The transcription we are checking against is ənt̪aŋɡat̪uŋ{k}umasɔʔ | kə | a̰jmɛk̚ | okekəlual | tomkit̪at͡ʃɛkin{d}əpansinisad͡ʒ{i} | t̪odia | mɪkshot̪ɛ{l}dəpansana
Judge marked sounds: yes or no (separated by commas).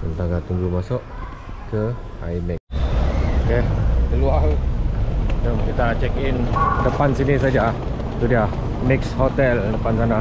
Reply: no, yes, no, yes